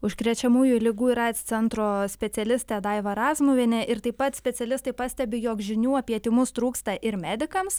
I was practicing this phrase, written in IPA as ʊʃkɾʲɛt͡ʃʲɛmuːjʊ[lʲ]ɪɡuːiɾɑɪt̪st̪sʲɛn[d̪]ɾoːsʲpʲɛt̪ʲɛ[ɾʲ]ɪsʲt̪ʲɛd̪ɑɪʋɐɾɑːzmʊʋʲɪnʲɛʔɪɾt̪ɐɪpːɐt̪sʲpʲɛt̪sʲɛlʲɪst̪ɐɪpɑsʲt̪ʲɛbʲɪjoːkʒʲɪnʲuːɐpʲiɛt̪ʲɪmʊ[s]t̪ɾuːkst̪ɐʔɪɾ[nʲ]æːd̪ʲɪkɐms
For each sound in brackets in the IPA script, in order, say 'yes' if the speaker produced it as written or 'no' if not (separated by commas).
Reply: yes, no, no, yes, no